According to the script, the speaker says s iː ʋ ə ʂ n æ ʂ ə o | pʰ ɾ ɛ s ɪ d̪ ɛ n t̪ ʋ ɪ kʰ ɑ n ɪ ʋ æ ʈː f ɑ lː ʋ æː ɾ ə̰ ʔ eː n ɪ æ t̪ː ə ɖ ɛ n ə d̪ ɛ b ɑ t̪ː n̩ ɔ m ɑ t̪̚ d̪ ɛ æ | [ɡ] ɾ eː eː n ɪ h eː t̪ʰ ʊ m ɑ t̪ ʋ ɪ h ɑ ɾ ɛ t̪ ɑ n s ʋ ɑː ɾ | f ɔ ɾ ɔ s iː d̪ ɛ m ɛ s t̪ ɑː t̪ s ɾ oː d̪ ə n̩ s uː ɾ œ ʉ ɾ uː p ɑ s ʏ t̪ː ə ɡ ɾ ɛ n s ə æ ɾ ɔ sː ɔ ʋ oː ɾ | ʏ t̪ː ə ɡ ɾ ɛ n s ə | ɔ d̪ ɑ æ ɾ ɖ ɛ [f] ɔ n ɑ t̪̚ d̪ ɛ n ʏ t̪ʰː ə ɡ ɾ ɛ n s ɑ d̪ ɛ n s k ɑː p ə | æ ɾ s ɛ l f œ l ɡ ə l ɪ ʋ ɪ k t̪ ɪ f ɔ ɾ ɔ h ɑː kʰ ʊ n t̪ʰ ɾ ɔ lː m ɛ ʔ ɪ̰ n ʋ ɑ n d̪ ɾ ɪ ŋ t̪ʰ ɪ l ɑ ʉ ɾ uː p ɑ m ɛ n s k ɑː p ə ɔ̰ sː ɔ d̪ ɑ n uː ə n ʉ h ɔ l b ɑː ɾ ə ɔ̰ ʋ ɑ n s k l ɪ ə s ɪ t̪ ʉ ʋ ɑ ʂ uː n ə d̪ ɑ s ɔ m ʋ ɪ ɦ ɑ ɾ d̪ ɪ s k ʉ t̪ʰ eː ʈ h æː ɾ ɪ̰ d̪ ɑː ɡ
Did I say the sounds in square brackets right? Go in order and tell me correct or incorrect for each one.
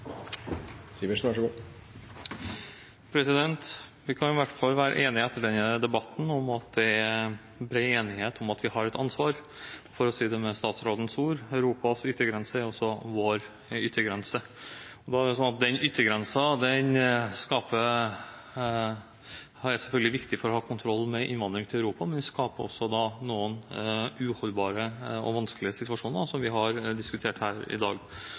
incorrect: b, incorrect: s

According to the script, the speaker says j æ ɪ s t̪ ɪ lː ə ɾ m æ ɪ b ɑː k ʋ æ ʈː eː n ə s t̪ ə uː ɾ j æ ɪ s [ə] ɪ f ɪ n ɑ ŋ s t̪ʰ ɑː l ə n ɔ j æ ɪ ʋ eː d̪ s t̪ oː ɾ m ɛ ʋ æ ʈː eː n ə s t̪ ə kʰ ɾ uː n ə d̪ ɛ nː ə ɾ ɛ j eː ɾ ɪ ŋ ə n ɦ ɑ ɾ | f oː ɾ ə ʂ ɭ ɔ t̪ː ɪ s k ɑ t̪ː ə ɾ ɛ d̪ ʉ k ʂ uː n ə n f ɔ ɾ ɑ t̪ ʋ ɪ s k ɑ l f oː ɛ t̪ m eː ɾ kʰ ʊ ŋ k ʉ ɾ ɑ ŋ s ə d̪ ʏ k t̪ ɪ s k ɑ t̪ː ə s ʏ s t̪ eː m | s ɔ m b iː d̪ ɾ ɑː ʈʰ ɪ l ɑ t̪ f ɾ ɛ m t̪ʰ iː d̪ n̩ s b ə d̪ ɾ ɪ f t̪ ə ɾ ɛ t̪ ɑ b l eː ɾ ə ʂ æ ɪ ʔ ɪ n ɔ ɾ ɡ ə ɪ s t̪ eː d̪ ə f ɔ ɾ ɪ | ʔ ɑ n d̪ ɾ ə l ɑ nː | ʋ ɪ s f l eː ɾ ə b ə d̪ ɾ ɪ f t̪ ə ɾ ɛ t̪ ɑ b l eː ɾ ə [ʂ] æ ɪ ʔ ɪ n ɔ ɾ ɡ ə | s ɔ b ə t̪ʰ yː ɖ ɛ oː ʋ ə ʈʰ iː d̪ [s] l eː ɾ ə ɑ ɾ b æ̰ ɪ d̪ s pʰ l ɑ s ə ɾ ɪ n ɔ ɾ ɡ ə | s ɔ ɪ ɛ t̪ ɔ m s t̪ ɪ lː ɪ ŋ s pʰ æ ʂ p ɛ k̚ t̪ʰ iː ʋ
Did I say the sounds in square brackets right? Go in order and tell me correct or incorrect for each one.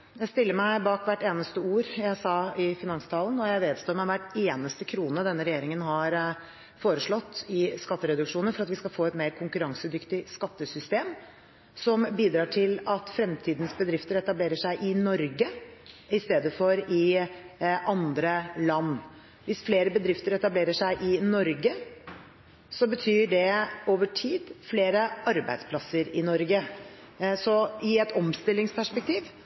incorrect: ɑ, correct, incorrect: f

